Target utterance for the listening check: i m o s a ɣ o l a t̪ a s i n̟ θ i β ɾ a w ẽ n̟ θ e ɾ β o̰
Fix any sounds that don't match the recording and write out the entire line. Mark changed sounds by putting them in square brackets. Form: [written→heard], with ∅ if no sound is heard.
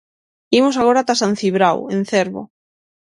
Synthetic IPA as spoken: i m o s a ɣ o [l→ɾ] a t̪ a s [i→a] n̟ θ i β ɾ a w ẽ n̟ θ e ɾ β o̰